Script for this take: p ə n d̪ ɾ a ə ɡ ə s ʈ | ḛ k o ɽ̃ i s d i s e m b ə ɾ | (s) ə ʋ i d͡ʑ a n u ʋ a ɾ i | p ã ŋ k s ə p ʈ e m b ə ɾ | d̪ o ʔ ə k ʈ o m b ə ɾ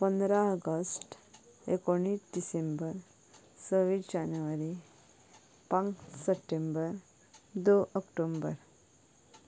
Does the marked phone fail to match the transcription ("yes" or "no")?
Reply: no